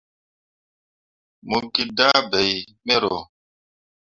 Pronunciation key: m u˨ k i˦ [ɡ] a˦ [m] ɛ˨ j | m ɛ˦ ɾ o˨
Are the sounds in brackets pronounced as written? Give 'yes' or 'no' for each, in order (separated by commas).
no, no